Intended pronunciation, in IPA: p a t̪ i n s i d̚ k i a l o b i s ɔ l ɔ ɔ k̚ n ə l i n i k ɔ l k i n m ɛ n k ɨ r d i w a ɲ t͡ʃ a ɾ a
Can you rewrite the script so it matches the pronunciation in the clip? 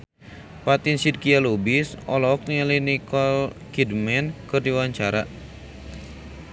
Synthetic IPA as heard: p a t̪ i n s i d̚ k i a l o b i s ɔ l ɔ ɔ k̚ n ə l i n i k ɔ l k i d m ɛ n k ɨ r d i w a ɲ t͡ʃ a ɾ a